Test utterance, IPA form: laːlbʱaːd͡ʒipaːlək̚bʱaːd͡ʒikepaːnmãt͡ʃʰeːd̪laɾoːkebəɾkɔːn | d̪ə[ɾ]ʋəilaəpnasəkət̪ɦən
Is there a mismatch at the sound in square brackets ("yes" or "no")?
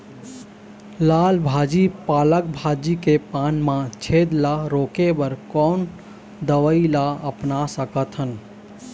yes